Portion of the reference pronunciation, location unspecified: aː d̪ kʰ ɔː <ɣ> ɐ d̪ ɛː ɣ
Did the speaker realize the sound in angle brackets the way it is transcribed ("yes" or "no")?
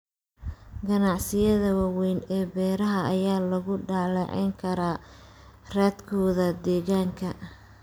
no